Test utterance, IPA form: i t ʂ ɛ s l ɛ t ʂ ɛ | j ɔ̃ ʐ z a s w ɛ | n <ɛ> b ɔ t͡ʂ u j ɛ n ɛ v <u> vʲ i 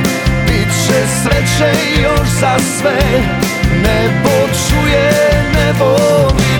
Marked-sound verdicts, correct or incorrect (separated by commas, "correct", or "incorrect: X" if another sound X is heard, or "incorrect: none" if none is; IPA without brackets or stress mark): correct, incorrect: ɔ